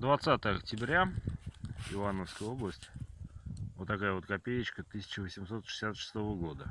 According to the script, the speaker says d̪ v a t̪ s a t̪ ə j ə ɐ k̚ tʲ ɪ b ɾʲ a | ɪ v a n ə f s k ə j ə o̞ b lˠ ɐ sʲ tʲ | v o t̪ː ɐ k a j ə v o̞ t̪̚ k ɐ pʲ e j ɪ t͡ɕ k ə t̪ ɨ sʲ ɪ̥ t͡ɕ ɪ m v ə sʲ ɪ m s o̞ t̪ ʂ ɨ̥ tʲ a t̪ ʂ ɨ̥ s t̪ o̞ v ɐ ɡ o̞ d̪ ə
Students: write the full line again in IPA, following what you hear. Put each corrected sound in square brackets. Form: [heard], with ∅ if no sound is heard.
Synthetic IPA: d̪ v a t̪ s a t̪ ə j ə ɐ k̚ tʲ ɪ b ɾʲ a | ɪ v a n ə f s k ə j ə o̞ b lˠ [ə] sʲ tʲ | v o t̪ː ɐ k a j ə v o̞ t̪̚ k ɐ pʲ e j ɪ t͡ɕ k ə t̪ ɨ sʲ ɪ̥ t͡ɕ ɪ [∅] v ə sʲ ɪ m s o̞ t̪ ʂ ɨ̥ [sʲ] a t̪ ʂ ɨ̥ s t̪ o̞ v [ə] ɡ o̞ d̪ ə